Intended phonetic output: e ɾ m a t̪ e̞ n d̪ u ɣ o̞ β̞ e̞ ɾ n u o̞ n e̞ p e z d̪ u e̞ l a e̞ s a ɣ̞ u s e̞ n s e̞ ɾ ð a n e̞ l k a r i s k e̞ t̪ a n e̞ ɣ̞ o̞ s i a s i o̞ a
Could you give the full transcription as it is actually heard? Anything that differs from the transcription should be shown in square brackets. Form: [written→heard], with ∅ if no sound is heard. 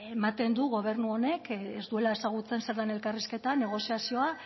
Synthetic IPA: e [ɾ→∅] m a t̪ e̞ n d̪ u ɣ o̞ β̞ e̞ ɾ n u o̞ n e̞ [p→k] e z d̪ u e̞ l a e̞ s a ɣ̞ u [s→t͡s] e̞ n s e̞ ɾ ð a n e̞ l k a r i s k e̞ t̪ a n e̞ ɣ̞ o̞ s i a s i o̞ a